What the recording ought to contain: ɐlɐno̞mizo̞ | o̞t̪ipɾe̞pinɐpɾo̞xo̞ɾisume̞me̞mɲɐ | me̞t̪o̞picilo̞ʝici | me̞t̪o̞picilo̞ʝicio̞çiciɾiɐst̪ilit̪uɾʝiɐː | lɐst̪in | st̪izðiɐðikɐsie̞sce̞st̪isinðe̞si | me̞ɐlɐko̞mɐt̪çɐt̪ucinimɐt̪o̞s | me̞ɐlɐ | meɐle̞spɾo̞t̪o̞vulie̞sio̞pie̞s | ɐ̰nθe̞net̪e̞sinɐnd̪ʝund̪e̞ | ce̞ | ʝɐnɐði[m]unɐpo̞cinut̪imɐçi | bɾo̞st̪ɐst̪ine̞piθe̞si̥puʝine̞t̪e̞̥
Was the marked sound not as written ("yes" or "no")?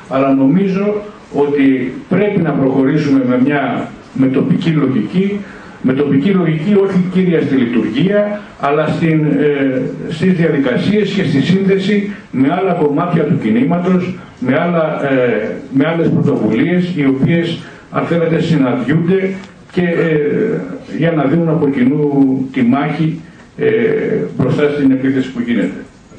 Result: yes